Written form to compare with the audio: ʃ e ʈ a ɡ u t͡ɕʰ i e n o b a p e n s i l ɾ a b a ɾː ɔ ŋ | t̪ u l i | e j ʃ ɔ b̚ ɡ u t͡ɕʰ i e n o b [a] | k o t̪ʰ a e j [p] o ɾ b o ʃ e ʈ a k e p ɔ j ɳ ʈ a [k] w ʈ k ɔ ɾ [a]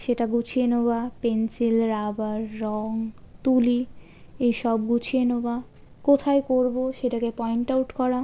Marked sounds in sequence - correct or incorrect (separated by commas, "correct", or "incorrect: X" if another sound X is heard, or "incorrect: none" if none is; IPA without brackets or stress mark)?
correct, incorrect: k, incorrect: none, correct